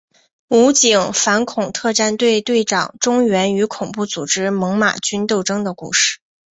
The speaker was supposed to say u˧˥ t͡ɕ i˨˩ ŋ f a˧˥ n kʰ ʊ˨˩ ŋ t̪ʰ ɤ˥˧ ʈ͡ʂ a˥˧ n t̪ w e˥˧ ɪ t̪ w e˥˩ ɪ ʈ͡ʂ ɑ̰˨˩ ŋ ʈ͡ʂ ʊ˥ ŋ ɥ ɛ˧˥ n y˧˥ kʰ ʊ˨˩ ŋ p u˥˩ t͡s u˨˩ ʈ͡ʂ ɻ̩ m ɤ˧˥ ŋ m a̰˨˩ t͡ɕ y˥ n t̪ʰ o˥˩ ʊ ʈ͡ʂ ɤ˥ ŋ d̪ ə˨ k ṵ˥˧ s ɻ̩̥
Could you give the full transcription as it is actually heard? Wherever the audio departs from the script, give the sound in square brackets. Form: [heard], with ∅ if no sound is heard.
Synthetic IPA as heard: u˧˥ t͡ɕ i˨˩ ŋ f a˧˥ n kʰ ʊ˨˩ ŋ t̪ʰ ɤ˥˧ ʈ͡ʂ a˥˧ n t̪ w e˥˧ ɪ t̪ w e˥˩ ɪ ʈ͡ʂ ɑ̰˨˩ ŋ ʈ͡ʂ ʊ˥ ŋ ɥ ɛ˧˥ n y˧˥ kʰ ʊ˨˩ ŋ p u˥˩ t͡s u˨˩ ʈ͡ʂ ɻ̩ m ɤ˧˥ ŋ m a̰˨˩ t͡ɕ y˥ n [t̪] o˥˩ ʊ ʈ͡ʂ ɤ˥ ŋ d̪ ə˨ k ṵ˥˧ [ʂ] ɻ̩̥